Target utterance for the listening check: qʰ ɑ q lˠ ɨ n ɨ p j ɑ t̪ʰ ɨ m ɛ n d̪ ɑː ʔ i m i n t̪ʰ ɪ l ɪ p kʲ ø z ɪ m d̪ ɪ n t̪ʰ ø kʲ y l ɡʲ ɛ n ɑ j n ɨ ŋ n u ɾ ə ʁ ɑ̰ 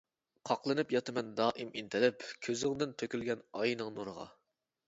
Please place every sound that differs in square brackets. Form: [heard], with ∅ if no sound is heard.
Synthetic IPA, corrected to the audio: qʰ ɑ q lˠ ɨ n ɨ p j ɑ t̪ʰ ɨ m ɛ n d̪ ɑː ʔ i m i n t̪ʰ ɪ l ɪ p [kʲʰ] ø z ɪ [ŋ] d̪ ɪ n t̪ʰ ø kʲ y l ɡʲ ɛ n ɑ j n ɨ ŋ n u ɾ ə ʁ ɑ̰